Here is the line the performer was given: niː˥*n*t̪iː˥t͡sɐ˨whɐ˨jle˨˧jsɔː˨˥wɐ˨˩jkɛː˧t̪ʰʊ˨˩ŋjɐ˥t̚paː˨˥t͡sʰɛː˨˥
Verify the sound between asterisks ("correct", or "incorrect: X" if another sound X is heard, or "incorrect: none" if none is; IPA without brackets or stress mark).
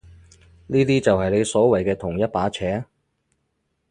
incorrect: none